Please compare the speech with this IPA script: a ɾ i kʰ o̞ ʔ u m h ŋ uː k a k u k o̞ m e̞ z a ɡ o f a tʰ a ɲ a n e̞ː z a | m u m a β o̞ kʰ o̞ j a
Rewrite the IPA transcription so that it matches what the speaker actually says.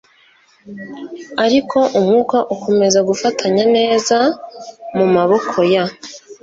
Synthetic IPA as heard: a ɾ i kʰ o̞ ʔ u m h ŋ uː k a ʔ u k o̞ m e̞ z a ɡ u f a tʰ a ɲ a n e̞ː z a | m u m a β o̞ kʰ o̞ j a